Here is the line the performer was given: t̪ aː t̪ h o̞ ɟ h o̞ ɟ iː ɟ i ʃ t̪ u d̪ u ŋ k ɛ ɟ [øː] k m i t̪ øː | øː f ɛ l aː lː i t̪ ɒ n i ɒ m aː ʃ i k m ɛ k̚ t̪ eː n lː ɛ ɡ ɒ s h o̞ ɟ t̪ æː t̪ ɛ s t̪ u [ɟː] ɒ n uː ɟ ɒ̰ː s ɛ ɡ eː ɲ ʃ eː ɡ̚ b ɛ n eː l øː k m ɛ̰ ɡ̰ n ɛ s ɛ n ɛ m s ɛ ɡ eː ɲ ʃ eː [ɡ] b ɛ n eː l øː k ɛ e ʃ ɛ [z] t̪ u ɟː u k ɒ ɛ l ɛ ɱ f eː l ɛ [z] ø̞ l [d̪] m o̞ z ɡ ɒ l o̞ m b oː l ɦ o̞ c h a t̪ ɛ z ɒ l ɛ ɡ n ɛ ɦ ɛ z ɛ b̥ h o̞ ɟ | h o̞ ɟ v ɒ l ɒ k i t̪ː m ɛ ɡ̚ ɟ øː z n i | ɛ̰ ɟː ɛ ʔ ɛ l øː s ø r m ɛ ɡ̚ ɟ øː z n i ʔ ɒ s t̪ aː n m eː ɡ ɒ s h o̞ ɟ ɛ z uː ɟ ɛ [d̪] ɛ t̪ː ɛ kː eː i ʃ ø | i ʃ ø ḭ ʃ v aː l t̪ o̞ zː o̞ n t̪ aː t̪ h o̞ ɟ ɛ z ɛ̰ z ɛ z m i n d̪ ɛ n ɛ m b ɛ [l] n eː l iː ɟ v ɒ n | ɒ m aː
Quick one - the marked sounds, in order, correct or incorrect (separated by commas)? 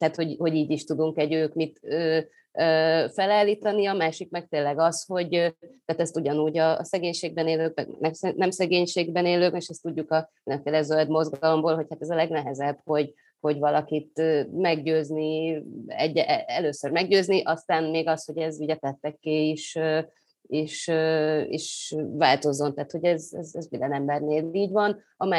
correct, incorrect, correct, incorrect, correct, correct, incorrect, incorrect